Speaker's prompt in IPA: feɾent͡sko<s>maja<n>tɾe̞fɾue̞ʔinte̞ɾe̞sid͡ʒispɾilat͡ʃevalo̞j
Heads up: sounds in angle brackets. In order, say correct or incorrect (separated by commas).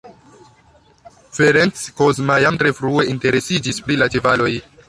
incorrect, incorrect